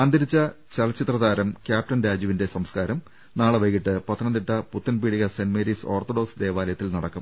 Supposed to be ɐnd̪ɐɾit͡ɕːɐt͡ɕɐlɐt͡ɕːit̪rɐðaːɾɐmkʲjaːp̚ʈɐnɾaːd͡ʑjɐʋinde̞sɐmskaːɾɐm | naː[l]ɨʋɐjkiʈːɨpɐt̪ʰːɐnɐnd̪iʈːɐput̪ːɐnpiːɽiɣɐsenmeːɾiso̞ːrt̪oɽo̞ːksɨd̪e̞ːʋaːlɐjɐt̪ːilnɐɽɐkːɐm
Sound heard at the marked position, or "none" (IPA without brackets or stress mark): ɭ